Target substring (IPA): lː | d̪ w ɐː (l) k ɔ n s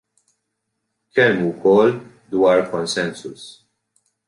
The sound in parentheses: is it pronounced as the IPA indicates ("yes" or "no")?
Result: no